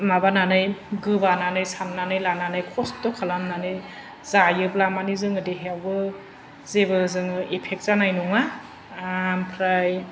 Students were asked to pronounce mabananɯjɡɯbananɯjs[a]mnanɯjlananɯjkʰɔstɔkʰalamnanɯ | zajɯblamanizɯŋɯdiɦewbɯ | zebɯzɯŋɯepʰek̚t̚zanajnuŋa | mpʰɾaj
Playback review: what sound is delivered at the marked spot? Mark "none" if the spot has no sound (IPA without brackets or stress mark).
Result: a